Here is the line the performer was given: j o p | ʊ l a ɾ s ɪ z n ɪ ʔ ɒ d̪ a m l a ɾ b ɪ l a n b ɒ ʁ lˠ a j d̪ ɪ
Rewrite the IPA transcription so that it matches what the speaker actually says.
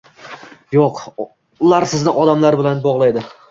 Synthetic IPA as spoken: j o q | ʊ l a ɾ s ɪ z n ɪ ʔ ɒ d̪ a m l a ɾ b ɪ l a n b ɒ ʁ lˠ a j d̪ ɪ